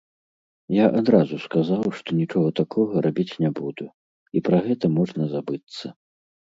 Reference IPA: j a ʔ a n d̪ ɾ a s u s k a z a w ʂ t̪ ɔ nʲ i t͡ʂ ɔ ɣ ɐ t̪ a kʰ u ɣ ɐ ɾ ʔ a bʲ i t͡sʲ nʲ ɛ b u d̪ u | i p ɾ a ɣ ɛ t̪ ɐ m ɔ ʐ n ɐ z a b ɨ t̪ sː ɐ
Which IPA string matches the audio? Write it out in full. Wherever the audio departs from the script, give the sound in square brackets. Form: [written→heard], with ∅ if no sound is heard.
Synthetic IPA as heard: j a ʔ a [n→∅] d̪ ɾ a [s→z] u s k a z a w ʂ t̪ ɔ nʲ i t͡ʂ ɔ ɣ ɐ t̪ a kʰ [u→ɔ] ɣ ɐ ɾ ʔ a bʲ i t͡sʲ nʲ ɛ b u d̪ u | i p ɾ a ɣ ɛ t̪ ɐ m ɔ ʐ n ɐ z a b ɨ t̪ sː ɐ